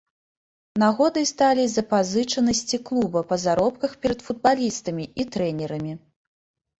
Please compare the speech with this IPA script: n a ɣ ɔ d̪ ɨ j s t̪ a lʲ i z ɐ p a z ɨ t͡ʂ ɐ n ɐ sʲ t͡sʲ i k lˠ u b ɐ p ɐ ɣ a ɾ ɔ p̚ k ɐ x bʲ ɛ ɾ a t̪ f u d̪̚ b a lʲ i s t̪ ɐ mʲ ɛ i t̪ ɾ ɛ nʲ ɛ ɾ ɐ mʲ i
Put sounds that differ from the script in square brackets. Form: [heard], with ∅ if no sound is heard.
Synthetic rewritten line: n a ɣ ɔ d̪ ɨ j s t̪ a lʲ i z ɐ p a z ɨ t͡ʂ ɐ n ɐ sʲ t͡sʲ i k lˠ u b ɐ p ɐ [z] a ɾ ɔ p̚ k ɐ x [pʲ] ɛ ɾ [ɐ] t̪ f u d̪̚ b a lʲ i s t̪ ɐ mʲ [i] i t̪ ɾ ɛ nʲ ɛ ɾ ɐ mʲ i